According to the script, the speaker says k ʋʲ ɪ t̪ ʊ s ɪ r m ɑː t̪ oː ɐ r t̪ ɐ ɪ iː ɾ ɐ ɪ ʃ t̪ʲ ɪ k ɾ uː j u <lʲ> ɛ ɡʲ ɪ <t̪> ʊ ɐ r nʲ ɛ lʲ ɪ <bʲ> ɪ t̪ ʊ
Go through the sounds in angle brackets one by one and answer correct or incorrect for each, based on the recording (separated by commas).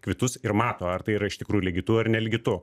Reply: correct, correct, incorrect